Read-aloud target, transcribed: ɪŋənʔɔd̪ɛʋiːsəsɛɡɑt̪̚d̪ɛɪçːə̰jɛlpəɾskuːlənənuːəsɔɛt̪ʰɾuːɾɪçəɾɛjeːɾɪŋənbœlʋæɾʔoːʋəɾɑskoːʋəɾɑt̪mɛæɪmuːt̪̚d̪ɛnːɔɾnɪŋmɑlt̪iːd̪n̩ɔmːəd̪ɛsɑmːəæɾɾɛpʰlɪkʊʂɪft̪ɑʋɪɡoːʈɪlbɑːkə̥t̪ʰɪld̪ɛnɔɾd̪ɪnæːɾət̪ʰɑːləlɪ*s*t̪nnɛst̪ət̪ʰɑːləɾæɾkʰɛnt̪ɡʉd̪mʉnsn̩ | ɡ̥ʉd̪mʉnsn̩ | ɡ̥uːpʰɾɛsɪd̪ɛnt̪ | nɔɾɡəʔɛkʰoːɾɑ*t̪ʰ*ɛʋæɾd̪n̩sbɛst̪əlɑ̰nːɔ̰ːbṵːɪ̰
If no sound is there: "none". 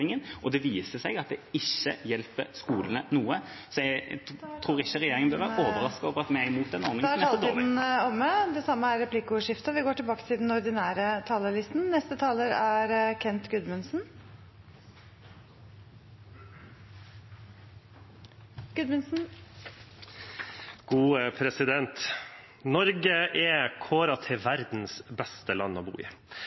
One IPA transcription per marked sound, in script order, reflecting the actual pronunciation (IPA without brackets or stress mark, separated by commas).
s, t̪ʰ